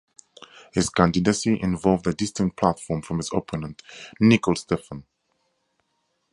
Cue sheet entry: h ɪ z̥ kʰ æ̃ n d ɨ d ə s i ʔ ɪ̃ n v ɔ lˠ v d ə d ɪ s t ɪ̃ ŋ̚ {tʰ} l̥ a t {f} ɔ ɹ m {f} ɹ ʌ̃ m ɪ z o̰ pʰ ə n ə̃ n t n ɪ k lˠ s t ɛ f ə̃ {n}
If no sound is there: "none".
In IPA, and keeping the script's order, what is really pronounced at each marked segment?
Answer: pʰ, f, f, n

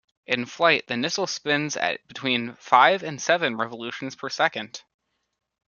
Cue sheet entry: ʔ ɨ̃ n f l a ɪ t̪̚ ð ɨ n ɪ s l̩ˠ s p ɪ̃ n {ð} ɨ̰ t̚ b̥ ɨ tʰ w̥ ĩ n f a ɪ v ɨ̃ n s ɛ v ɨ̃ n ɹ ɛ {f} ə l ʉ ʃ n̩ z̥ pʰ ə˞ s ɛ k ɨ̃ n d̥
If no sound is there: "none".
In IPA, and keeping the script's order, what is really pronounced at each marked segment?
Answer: z, v

